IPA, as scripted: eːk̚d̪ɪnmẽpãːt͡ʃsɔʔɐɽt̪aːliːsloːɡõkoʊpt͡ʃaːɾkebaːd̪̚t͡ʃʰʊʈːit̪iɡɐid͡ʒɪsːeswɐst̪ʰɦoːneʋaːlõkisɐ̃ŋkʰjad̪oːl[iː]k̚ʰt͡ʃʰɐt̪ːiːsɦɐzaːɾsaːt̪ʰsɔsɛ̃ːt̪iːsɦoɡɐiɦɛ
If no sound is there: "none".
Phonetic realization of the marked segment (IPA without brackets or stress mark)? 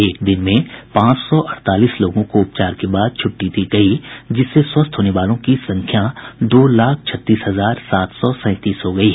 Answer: aː